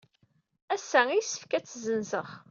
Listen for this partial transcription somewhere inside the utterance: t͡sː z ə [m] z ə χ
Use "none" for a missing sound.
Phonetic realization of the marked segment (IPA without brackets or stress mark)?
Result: n